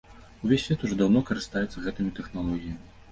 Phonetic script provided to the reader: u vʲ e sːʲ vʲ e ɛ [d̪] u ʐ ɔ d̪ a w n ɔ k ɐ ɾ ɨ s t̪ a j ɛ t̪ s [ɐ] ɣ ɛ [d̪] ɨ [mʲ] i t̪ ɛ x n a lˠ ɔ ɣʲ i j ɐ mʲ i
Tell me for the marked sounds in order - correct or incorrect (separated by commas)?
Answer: incorrect, correct, incorrect, correct